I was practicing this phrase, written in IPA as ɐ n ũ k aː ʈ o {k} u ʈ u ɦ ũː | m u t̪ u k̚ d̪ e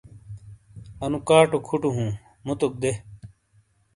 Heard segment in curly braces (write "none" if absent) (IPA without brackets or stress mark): kʰ